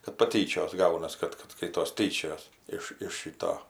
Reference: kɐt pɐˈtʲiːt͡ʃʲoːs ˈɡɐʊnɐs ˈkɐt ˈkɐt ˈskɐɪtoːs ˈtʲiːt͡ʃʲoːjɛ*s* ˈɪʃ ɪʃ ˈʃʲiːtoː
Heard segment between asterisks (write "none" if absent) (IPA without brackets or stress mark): s